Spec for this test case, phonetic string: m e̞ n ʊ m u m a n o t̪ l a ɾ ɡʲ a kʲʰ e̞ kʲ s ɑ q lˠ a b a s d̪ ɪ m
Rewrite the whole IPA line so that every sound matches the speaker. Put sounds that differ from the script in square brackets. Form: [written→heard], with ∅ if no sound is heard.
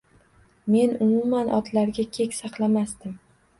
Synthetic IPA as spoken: m e̞ n ʊ m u m a n [o→ɒ] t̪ l a ɾ ɡʲ a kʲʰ e̞ kʲ s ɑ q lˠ a [b→m] a s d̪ ɪ m